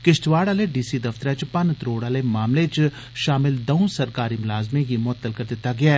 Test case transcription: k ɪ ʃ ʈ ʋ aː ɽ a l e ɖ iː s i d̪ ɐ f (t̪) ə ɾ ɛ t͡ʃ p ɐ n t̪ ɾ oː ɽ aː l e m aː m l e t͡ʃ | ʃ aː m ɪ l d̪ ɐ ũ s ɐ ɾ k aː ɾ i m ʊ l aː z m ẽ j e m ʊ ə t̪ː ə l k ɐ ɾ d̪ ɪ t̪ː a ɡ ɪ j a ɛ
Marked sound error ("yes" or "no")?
no